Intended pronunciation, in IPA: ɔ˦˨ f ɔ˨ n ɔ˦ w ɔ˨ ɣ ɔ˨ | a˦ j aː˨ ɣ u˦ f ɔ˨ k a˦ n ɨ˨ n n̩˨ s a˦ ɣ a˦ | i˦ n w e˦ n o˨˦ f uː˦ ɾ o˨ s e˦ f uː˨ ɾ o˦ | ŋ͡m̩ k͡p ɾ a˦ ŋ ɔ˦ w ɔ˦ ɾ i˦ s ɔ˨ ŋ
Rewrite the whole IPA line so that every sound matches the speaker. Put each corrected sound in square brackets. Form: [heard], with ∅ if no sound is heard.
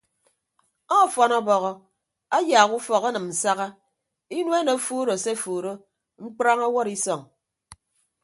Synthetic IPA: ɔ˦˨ f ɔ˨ n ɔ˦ [b] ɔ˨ ɣ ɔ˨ | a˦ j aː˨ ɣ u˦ f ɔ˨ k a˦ n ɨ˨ [m] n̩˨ s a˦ ɣ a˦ | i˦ n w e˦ n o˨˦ f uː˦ ɾ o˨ s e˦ f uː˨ ɾ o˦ | ŋ͡m̩ k͡p ɾ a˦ ŋ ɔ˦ w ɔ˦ ɾ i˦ s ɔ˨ ŋ

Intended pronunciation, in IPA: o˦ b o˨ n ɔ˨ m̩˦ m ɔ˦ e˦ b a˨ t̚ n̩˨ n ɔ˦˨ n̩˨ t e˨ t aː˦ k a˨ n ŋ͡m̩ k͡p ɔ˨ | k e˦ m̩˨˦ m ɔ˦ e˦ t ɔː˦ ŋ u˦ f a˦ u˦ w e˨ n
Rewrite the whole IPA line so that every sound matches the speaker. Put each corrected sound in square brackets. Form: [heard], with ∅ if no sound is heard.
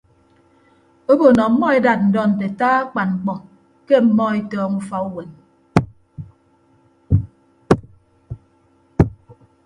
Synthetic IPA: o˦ b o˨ n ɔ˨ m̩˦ m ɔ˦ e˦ [d] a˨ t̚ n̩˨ [d] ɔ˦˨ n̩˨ t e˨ t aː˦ [k͡p] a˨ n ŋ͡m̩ k͡p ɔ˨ | k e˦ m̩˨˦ m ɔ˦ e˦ t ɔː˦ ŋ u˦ f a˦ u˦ w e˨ n

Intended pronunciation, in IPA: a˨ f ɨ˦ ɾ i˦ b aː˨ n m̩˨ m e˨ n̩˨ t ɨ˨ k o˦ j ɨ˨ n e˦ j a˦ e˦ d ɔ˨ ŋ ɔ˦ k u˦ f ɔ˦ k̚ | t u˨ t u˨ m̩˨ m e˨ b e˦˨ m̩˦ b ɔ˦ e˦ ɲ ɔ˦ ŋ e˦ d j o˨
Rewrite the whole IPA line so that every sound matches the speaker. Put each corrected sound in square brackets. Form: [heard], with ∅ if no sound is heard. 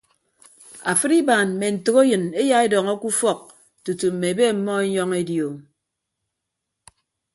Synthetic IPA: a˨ f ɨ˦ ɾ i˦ b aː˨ n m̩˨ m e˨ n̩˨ t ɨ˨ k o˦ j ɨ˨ n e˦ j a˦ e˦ d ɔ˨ ŋ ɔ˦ k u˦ f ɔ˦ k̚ | t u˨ t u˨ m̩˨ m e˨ b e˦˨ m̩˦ [m] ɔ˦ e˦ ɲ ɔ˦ ŋ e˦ d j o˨

